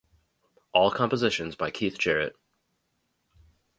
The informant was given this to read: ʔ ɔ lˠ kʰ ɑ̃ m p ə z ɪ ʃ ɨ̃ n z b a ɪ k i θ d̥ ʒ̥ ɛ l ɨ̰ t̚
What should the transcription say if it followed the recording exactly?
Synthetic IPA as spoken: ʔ ɔ lˠ kʰ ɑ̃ m p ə z ɪ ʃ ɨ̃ n z b a ɪ kʰ i θ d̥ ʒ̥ ɛ ɹ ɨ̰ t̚